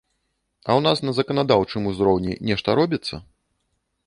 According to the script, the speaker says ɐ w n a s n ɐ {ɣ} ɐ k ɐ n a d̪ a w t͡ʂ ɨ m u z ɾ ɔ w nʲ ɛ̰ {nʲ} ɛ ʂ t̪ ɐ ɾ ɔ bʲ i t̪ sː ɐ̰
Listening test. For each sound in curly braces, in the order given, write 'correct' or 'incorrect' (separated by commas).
incorrect, correct